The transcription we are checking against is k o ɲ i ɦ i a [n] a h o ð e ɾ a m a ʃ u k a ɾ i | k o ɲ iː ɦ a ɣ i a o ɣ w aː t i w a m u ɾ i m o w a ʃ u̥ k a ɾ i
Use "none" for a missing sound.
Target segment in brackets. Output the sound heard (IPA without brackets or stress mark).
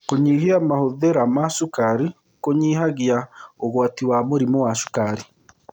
m